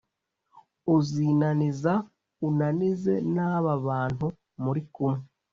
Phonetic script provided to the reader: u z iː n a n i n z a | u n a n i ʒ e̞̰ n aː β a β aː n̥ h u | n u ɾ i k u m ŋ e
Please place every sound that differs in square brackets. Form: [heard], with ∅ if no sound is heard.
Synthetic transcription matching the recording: u z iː n a n i [∅] z a | u n a n i [z] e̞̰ n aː β a β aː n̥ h u | [m] u ɾ i k u m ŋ e